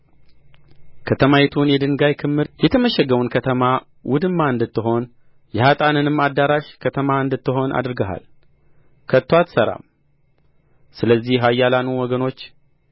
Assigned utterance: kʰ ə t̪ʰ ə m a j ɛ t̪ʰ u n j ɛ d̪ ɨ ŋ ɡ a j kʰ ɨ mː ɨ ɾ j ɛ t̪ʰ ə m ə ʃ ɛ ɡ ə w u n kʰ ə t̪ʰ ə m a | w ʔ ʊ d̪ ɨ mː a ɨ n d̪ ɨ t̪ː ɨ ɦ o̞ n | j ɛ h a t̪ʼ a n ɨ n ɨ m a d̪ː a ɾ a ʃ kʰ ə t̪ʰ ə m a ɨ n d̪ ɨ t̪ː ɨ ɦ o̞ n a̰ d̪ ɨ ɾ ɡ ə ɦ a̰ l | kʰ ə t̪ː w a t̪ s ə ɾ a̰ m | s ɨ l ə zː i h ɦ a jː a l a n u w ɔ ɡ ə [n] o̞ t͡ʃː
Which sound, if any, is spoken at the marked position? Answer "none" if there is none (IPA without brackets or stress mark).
n